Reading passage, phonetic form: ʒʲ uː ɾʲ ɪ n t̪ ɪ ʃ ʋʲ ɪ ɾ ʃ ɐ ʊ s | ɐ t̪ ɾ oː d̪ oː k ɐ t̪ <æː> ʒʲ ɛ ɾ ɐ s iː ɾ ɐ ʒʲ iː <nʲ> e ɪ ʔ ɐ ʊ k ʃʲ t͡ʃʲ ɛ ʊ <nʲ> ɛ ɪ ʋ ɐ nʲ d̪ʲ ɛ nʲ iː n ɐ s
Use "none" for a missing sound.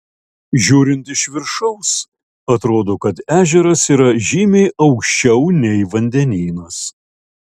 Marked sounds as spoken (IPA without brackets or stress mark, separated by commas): æː, mʲ, nʲ